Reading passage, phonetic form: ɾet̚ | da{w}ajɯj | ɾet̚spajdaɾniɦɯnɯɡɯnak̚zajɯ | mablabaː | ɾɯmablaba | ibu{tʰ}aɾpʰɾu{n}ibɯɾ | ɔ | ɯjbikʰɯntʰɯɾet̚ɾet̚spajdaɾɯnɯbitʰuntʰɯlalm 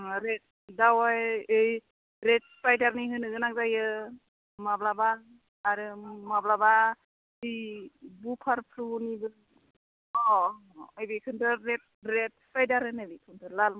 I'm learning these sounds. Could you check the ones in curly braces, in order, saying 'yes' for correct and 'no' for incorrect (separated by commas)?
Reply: yes, no, yes